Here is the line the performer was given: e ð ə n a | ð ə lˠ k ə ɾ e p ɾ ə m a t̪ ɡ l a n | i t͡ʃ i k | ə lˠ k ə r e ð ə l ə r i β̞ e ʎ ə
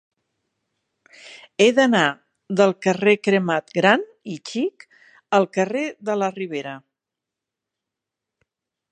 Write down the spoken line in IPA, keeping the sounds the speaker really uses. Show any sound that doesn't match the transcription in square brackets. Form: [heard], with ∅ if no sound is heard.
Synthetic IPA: e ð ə n a | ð ə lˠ k ə [r] e [k] ɾ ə m a t̪ ɡ [ɾ] a n | i t͡ʃ i k | ə lˠ k ə r e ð ə l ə r i β̞ e [ɾ] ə